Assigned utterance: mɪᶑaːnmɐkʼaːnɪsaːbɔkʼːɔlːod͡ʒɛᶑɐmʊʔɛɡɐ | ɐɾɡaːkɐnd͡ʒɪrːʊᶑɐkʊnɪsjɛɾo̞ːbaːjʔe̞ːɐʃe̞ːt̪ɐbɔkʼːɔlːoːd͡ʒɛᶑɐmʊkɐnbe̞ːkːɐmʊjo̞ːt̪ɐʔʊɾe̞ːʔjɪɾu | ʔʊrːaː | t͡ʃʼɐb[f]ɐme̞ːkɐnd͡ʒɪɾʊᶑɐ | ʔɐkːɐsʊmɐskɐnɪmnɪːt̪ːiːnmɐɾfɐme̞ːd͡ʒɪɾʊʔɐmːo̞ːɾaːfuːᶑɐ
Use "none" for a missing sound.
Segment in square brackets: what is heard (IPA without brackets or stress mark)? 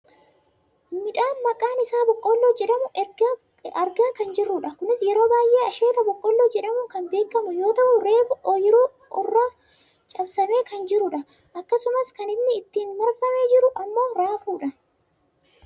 s